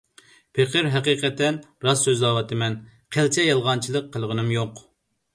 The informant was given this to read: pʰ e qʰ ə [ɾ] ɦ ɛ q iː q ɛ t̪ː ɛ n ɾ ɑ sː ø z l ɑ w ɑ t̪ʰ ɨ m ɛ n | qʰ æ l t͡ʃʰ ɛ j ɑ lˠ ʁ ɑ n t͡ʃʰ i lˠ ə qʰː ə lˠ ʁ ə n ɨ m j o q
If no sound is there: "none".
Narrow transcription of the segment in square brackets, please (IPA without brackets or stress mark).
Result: ɾ